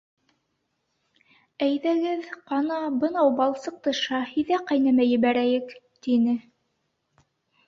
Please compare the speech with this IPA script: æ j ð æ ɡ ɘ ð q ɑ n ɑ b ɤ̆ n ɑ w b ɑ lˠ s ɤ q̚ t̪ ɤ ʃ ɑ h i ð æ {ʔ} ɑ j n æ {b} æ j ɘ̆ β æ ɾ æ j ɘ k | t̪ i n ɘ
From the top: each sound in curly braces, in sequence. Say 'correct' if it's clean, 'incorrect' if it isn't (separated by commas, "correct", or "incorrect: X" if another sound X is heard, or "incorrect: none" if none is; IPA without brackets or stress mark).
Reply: incorrect: q, incorrect: m